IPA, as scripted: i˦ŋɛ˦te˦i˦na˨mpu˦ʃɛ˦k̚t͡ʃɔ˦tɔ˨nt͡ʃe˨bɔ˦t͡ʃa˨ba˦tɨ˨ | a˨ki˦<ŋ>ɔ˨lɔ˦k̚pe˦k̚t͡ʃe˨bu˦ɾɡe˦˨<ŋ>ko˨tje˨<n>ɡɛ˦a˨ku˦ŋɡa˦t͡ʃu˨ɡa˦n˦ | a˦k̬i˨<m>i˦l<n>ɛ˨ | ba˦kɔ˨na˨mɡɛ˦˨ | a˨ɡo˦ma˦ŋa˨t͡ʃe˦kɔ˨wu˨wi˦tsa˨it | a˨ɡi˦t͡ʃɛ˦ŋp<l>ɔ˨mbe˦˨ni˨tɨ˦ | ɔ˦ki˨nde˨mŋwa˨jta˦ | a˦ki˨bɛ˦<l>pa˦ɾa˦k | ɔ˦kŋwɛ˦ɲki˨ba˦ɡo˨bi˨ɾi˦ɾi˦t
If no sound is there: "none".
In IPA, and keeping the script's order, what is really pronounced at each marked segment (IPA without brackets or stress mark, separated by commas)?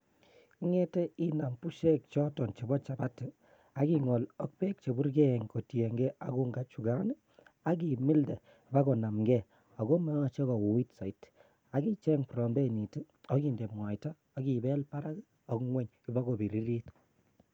ŋ, ŋ, ŋ, m, d, ɾ, l